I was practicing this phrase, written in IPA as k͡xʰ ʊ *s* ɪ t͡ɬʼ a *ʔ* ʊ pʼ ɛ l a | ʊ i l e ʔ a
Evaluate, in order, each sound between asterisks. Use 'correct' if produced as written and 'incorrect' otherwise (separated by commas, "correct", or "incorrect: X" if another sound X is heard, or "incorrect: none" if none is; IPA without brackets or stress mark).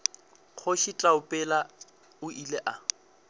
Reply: incorrect: ʃ, incorrect: none